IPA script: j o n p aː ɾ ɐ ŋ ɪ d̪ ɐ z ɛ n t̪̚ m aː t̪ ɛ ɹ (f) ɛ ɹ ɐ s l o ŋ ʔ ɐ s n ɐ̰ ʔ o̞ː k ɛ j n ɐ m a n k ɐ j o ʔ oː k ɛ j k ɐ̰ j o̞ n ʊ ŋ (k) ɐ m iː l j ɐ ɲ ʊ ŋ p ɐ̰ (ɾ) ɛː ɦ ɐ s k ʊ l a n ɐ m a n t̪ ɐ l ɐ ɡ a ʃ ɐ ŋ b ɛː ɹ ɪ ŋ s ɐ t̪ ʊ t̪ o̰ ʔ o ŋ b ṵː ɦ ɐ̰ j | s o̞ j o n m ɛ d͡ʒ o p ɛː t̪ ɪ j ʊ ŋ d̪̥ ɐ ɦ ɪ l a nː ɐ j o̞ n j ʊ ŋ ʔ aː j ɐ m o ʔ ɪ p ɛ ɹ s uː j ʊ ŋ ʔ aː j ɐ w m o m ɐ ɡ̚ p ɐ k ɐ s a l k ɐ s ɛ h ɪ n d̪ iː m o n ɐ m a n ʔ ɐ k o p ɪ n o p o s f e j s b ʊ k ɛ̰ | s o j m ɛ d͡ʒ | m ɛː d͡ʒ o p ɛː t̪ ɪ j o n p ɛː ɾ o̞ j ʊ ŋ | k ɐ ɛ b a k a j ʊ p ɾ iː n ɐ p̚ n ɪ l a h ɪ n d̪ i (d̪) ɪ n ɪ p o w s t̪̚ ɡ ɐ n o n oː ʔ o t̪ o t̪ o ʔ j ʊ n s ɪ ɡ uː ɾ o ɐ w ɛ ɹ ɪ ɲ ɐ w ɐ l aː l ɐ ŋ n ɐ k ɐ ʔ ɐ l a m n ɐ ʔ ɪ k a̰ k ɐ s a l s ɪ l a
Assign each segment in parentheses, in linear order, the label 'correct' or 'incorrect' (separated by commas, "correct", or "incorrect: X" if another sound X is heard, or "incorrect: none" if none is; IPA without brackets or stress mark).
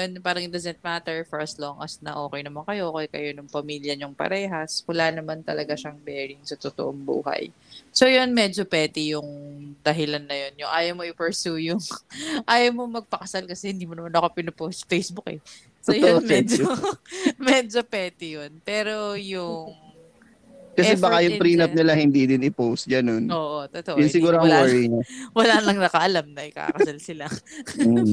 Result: correct, incorrect: p, correct, correct